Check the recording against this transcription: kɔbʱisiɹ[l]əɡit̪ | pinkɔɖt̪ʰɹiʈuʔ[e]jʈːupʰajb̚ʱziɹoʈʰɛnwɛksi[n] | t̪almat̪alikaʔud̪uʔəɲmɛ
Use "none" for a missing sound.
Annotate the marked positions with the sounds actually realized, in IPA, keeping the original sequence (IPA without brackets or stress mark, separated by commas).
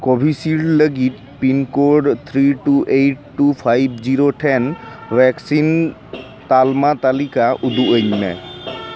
l, e, n